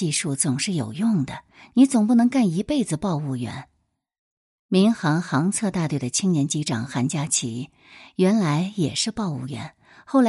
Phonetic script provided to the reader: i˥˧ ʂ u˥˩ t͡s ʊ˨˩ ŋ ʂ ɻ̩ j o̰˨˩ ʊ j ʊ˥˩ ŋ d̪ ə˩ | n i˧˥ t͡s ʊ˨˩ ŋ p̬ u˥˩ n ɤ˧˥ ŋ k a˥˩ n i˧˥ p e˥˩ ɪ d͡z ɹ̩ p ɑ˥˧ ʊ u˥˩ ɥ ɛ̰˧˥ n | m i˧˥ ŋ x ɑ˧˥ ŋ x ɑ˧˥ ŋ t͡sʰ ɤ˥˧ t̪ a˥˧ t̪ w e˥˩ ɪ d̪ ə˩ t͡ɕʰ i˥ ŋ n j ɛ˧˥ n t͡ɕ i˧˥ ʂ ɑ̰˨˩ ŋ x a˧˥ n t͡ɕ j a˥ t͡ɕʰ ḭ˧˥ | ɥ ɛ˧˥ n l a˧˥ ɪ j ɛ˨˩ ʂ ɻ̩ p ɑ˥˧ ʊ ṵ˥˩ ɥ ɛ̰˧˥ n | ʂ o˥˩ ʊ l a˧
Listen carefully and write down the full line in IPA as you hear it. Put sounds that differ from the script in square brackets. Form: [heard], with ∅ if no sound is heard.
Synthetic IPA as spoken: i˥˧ ʂ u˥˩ t͡s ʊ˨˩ ŋ ʂ ɻ̩ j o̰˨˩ ʊ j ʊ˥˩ ŋ d̪ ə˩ | n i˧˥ t͡s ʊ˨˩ ŋ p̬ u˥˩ n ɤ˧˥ ŋ k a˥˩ n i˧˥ p e˥˩ ɪ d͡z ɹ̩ p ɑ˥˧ ʊ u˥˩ ɥ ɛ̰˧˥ n | m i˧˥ ŋ x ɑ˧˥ ŋ x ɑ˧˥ ŋ t͡sʰ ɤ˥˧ t̪ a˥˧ t̪ w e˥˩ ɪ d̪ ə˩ t͡ɕʰ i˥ ŋ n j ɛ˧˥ n t͡ɕ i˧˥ [ʈ͡ʂ] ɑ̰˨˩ ŋ x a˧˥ n t͡ɕ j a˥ t͡ɕʰ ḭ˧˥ | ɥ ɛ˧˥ n l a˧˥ ɪ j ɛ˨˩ ʂ ɻ̩ p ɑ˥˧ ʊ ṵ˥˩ ɥ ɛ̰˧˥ n | [x] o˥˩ ʊ l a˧